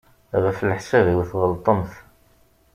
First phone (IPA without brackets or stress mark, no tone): ʁ